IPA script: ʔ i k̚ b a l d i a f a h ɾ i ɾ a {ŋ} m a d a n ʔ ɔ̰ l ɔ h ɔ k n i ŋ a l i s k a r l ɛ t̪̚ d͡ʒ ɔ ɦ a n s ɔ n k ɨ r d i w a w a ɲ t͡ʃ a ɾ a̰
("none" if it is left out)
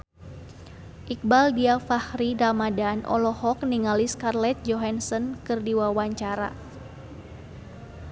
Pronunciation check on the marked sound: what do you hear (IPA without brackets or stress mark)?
none